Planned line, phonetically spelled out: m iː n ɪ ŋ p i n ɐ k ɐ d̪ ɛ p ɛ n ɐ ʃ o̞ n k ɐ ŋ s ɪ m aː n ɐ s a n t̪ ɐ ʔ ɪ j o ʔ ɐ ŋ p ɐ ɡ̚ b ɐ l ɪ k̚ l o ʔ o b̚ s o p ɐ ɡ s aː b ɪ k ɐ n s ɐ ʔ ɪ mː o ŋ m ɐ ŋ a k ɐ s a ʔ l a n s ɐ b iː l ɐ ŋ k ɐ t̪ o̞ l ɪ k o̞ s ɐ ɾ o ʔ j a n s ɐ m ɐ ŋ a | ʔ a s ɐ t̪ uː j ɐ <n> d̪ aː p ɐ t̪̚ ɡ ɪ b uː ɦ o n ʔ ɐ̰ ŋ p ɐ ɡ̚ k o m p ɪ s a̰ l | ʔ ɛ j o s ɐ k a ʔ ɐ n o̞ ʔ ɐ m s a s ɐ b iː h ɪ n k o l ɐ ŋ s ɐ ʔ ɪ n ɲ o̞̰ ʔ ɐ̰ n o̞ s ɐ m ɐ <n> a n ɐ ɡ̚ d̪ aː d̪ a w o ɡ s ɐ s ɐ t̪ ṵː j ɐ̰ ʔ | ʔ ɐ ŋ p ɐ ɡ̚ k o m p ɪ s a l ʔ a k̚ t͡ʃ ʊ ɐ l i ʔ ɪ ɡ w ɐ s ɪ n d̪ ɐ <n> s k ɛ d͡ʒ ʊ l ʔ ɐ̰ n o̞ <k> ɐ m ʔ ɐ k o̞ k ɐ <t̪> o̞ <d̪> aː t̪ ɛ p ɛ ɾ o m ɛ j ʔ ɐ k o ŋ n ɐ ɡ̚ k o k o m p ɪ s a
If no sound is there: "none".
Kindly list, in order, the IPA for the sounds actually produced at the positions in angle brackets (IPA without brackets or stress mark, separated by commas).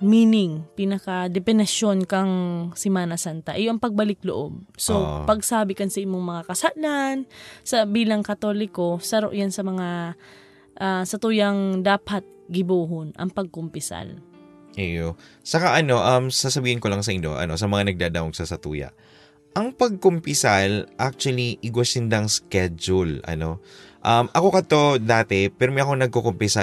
ŋ, ŋ, ŋ, ʔ, t̪, d̪